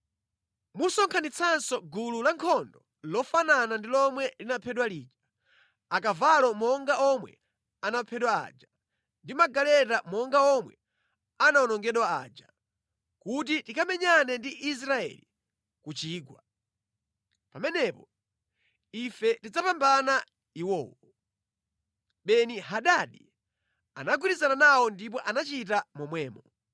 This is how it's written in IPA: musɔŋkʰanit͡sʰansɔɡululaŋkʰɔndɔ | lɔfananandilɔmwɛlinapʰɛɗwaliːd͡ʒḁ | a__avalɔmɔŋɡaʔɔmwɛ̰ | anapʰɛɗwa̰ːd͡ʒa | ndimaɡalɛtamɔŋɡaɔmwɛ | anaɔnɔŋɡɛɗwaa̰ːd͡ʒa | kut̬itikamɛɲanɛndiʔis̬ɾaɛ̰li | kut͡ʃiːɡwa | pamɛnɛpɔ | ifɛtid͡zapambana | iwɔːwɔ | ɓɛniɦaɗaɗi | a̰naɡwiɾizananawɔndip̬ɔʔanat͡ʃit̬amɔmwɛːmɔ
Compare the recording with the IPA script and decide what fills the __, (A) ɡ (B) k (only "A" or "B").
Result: B